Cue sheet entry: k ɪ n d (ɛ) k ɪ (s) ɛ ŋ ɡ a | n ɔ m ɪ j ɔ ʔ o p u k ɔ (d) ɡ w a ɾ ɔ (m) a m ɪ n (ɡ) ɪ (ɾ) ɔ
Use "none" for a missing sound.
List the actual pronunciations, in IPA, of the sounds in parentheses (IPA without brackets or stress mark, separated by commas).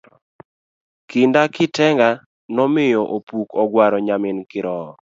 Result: a, t, none, ɲ, k, ɾ